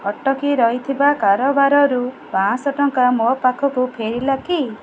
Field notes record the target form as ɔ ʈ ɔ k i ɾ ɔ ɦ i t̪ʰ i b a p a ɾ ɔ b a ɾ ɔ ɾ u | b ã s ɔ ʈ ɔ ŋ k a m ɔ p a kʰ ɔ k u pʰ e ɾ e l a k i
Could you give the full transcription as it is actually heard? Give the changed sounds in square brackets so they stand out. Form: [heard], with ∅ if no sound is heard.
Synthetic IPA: ɔ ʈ ɔ k i ɾ ɔ ɦ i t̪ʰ i b a [k] a ɾ ɔ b a ɾ ɔ ɾ u | b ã s ɔ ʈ ɔ ŋ k a m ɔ p a kʰ ɔ k u pʰ e ɾ [i] l a k i